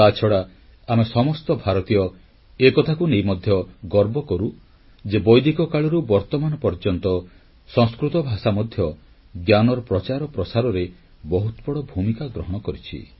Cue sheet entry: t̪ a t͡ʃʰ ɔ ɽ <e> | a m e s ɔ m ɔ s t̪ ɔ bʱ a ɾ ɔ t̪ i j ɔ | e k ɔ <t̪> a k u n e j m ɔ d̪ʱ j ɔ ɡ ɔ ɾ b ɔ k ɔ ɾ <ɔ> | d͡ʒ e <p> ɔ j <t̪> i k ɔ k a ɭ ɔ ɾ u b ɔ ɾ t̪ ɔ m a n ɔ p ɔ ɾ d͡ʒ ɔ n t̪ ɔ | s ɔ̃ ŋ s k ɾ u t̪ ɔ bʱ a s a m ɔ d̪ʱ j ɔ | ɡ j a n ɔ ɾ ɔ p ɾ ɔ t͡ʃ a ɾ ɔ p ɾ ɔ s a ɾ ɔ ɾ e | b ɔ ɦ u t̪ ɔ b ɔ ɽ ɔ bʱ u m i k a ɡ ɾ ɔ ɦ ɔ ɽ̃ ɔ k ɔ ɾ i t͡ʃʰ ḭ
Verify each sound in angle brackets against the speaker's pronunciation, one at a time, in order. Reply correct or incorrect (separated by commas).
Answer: incorrect, incorrect, incorrect, incorrect, incorrect